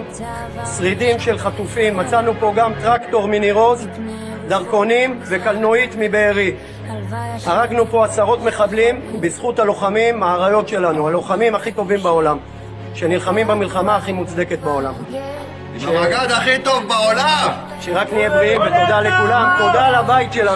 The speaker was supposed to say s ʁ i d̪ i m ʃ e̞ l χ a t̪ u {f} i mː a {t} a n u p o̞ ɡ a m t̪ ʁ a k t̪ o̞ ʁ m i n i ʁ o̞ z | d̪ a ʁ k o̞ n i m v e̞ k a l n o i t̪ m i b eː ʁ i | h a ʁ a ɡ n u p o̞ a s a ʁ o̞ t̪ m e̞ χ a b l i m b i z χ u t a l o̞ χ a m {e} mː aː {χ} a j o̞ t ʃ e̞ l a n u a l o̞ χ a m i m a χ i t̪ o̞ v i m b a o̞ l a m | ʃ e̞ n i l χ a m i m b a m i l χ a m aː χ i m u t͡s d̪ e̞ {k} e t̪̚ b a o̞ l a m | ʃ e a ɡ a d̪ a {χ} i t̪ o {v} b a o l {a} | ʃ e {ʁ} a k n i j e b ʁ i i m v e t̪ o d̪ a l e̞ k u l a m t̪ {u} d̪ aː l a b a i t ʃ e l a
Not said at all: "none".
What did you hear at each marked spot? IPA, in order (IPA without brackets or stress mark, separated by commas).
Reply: f, t͡s, i, ʁ, k, χ, v, a, ʁ, o